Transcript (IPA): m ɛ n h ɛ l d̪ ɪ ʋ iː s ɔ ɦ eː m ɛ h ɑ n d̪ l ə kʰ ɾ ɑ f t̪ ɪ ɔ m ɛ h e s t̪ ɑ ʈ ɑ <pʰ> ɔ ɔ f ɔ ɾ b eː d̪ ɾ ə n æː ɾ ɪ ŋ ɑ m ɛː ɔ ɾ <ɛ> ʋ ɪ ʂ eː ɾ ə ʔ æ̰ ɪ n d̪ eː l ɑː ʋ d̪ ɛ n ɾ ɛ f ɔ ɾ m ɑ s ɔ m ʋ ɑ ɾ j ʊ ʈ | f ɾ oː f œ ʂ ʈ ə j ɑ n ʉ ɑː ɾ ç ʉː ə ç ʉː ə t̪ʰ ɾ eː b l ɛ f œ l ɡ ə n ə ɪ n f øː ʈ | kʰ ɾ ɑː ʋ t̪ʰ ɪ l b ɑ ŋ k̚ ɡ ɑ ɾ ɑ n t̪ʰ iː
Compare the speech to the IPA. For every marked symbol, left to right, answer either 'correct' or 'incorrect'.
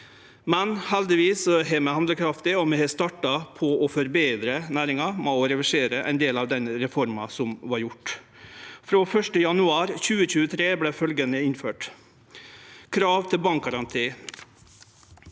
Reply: correct, correct

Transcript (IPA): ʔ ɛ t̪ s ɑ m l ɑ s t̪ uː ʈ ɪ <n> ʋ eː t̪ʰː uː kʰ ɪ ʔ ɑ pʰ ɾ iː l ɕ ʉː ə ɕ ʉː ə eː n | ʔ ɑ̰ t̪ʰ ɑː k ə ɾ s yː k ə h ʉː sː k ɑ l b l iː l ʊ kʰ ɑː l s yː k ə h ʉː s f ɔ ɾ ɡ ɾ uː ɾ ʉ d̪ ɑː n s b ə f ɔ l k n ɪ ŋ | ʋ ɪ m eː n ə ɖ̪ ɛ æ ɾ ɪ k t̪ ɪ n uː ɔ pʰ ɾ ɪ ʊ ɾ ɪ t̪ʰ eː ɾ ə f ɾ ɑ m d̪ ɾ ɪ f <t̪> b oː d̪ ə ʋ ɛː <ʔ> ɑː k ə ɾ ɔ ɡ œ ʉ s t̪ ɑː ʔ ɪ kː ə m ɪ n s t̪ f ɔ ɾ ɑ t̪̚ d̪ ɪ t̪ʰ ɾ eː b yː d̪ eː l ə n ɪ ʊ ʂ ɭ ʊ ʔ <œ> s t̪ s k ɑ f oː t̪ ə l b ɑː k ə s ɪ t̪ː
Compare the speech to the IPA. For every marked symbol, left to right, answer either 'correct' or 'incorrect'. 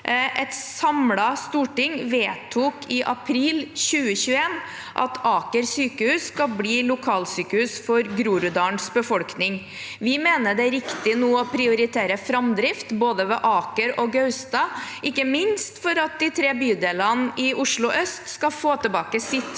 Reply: incorrect: ŋ, correct, correct, correct

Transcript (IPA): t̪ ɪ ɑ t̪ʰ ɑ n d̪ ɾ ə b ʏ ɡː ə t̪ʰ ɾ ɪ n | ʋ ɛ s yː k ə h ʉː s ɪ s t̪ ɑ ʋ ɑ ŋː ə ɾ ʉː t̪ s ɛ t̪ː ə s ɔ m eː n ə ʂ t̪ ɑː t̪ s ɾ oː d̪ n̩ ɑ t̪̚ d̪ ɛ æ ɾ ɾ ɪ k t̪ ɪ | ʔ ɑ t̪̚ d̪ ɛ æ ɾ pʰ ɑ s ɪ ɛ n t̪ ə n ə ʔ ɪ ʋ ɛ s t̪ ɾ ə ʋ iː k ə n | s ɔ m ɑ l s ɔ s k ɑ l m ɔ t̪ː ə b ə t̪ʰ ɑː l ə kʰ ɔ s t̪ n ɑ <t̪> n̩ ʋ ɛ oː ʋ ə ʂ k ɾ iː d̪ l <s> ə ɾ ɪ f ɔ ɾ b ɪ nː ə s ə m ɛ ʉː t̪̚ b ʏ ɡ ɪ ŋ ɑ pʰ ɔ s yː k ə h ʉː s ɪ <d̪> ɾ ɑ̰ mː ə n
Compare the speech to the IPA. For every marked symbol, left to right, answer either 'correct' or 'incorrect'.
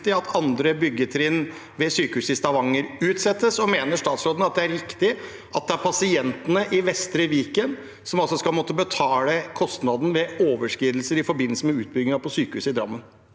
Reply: incorrect: d̪, correct, correct

